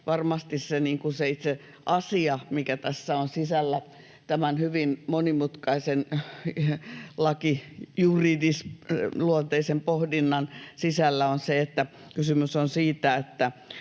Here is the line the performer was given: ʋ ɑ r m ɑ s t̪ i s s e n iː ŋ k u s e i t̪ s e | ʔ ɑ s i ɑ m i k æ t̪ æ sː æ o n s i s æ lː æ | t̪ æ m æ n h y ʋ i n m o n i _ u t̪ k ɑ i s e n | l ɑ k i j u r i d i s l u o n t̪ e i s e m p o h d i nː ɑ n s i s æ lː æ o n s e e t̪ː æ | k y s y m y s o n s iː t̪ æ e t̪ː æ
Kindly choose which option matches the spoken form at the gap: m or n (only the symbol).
m